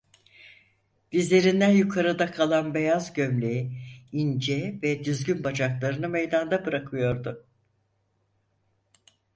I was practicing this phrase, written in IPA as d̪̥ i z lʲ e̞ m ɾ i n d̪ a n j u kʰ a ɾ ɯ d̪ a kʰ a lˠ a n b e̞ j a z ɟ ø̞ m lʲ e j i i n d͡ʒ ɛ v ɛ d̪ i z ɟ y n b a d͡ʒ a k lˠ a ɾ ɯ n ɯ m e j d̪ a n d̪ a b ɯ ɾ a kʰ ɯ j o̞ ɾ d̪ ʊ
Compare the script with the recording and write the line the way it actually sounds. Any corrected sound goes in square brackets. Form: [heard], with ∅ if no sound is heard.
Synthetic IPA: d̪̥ i z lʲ e̞ [∅] ɾ i n d̪ [æ] n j u kʰ a ɾ ɯ d̪ a kʰ a lˠ a n b e̞ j a z ɟ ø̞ m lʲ e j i i n d͡ʒ ɛ v ɛ d̪ [y] z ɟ y n b a d͡ʒ a k lˠ a ɾ ɯ n ɯ m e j d̪ a n d̪ a b ɯ ɾ a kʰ ɯ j o̞ ɾ d̪ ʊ